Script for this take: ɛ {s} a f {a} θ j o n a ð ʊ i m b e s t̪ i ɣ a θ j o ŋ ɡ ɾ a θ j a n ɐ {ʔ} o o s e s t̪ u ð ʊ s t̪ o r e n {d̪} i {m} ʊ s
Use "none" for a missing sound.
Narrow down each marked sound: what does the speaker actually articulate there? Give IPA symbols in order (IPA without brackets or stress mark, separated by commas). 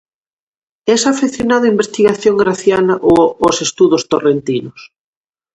s, e, ʔ, t̪, n